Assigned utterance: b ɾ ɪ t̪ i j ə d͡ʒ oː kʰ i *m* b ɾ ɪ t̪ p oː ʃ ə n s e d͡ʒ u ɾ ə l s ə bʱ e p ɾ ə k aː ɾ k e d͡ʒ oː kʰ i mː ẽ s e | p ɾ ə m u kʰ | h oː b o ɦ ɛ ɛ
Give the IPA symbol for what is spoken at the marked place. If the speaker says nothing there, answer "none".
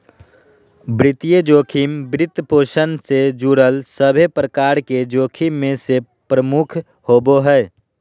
m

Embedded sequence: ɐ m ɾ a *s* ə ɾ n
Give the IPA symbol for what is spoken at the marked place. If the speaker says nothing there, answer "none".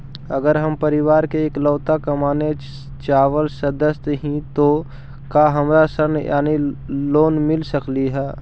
s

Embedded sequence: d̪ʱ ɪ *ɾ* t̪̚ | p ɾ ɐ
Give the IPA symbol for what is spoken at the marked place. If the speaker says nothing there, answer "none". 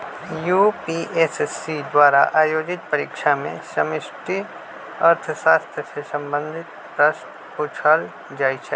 none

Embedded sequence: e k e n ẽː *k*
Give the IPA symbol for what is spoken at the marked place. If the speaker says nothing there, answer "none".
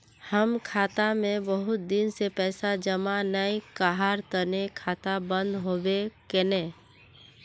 none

